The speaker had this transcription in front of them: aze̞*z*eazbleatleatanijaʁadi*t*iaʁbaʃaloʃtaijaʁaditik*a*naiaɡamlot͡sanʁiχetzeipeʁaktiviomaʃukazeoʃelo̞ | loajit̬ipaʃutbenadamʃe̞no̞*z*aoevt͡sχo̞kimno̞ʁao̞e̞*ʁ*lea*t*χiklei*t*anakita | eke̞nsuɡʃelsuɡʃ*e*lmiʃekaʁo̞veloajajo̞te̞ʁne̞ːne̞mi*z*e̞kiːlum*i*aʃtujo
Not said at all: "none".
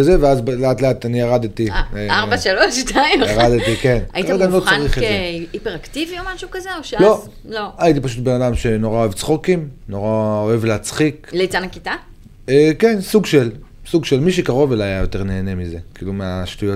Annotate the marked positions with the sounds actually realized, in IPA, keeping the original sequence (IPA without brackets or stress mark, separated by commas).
v, t, e, ʁ, v, t͡s, t͡s, e, z, e